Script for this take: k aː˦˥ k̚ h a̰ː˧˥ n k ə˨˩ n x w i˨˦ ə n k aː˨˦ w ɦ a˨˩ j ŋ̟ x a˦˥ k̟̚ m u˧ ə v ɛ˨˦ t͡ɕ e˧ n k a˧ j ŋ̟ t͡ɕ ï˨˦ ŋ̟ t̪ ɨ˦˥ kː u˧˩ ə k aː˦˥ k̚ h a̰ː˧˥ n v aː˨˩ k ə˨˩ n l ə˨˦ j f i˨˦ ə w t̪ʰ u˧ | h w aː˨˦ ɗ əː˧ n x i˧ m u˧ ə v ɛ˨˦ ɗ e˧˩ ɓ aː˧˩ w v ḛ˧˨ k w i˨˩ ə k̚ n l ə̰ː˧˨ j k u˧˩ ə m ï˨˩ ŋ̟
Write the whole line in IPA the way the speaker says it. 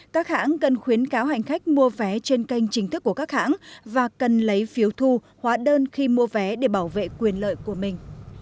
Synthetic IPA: k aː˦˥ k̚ h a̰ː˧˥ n k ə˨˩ n x w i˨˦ ə n k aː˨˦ w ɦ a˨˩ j ŋ̟ x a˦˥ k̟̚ m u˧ ə v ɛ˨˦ t͡ɕ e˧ n k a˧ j ŋ̟ t͡ɕ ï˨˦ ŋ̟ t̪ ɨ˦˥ kː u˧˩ ə k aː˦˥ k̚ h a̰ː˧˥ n v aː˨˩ k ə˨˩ n l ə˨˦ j f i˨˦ ə w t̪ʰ u˧ | h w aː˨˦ ɗ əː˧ n x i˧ m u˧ ə v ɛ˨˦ ɗ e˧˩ ɓ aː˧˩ w v ḛ˧˨ k w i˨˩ ə n l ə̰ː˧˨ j k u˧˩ ə m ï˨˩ ŋ̟